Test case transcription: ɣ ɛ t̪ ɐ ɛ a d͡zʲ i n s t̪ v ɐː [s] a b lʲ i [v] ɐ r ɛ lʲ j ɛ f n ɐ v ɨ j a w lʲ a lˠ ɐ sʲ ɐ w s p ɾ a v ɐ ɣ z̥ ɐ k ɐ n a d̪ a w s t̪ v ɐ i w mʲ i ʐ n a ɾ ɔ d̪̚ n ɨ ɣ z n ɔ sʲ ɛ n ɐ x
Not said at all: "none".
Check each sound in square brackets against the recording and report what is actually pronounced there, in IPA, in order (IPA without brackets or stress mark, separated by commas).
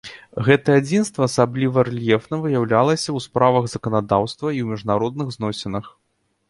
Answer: s, v